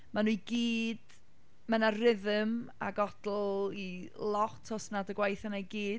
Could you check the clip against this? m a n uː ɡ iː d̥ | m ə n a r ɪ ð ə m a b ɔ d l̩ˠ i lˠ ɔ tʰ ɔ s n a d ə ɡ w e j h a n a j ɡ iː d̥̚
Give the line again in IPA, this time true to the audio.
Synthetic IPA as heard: m a n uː ɡ iː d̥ | m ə n a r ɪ ð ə m a ɡ ɔ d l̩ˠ i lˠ ɔ tʰ ɔ s n a d ə ɡ w a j θ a n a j ɡ iː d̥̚